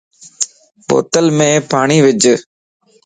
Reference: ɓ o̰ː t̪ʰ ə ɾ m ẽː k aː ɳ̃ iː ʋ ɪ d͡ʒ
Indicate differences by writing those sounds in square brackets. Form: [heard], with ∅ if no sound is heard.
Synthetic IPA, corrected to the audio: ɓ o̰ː [t̪] ə [l] m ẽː [p] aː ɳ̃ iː ʋ ɪ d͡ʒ